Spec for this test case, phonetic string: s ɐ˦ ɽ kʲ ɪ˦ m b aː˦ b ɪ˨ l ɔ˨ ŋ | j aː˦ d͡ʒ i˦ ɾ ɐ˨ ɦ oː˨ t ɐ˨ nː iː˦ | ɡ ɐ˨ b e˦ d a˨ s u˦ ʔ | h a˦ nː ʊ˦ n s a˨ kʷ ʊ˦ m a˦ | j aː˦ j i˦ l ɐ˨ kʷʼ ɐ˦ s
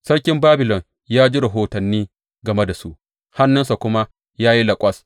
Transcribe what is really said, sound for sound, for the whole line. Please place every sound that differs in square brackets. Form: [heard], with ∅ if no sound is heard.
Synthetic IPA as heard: s ɐ˦ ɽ kʲ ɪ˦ m b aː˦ b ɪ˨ l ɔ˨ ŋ | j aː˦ d͡ʒ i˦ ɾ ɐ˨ ɦ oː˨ t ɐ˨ nː iː˦ | ɡ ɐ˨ [m] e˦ d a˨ s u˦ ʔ | h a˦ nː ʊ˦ n s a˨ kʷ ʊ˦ m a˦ | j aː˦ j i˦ l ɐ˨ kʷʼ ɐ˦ s